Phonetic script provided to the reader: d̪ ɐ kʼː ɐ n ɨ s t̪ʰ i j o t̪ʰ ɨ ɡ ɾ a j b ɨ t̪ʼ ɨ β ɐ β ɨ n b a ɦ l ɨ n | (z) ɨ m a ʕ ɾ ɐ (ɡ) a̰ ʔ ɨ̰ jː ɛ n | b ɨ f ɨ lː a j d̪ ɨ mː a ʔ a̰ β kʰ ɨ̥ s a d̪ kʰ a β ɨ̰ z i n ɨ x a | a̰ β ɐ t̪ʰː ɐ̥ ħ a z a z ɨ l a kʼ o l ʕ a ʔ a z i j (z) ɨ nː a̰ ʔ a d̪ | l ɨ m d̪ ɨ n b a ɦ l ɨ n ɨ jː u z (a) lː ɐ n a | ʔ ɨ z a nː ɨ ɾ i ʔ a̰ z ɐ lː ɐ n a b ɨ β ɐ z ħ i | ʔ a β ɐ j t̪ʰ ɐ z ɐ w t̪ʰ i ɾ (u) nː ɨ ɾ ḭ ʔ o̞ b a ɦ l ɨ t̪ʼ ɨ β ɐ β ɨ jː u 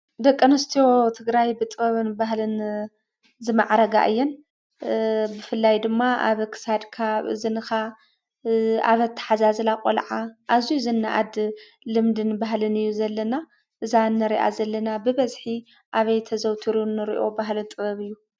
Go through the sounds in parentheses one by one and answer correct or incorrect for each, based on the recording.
correct, correct, correct, incorrect, correct

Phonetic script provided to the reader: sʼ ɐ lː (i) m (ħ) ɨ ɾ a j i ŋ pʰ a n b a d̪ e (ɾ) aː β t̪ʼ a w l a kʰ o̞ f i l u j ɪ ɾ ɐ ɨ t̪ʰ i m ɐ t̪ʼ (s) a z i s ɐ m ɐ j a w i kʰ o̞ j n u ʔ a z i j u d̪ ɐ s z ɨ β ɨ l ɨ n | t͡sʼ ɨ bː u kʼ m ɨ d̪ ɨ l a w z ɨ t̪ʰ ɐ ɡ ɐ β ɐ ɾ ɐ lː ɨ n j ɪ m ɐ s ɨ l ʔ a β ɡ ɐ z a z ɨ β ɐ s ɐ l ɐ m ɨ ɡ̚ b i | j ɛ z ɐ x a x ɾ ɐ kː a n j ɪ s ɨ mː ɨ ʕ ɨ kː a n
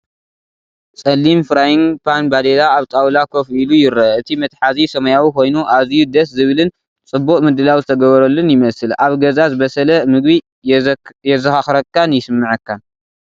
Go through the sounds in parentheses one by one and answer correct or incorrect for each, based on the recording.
correct, incorrect, incorrect, incorrect

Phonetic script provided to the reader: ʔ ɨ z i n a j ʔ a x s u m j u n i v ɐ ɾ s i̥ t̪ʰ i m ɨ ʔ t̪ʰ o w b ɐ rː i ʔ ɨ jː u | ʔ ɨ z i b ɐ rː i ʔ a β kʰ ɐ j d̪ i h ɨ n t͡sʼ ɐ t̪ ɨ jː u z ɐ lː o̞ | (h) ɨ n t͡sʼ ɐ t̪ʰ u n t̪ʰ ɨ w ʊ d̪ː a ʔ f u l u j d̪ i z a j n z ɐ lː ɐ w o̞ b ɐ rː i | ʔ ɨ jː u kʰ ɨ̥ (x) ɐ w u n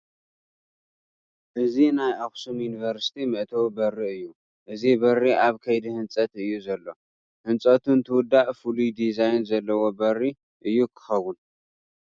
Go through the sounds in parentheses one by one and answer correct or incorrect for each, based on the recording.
correct, correct

